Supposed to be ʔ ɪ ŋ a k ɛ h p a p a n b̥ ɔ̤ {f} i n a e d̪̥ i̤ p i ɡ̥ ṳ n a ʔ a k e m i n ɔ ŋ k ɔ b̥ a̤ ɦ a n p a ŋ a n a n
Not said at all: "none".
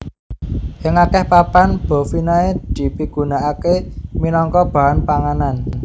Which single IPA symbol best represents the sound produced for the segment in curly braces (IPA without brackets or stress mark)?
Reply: f